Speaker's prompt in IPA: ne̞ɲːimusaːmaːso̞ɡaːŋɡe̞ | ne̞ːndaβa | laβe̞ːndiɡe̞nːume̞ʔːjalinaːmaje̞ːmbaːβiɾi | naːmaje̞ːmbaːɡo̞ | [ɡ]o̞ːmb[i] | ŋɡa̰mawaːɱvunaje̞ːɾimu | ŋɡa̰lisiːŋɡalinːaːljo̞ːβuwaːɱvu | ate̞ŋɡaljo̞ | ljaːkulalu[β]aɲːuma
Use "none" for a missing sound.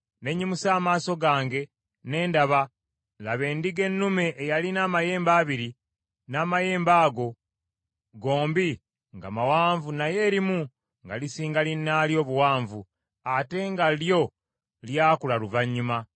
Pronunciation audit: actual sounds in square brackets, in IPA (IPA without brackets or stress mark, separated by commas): ɡ, i, v